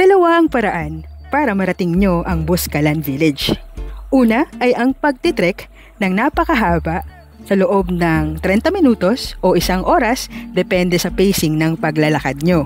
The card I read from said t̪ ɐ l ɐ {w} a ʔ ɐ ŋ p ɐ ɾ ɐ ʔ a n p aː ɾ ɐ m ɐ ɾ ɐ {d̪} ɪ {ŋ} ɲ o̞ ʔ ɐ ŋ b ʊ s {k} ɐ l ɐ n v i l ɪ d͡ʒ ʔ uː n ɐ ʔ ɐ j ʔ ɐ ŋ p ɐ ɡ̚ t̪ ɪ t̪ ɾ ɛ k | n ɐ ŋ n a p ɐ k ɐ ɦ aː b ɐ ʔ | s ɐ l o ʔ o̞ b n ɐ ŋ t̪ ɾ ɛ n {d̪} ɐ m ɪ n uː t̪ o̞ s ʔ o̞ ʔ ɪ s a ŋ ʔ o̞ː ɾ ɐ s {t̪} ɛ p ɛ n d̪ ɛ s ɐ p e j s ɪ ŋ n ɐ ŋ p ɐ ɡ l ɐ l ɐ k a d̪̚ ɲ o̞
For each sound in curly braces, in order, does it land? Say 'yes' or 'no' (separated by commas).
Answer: yes, no, yes, yes, no, no